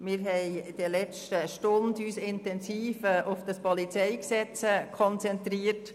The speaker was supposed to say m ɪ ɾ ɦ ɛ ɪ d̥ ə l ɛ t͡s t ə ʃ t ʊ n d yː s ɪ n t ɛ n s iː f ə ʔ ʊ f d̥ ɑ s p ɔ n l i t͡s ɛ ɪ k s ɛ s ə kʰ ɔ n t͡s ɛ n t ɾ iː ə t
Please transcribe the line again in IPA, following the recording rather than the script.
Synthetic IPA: m ɪ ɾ ɦ ɛ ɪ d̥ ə l ɛ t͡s t ə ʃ t ʊ n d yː s ɪ n t ɛ n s iː f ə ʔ ʊ f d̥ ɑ s p ɔ l i t͡s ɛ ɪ k s ɛ t͡s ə kʰ ɔ n t͡s ɛ n t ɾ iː ə t